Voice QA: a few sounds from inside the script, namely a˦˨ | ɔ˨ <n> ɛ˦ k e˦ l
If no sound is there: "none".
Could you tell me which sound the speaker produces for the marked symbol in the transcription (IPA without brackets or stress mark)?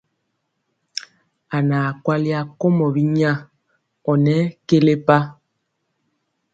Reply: n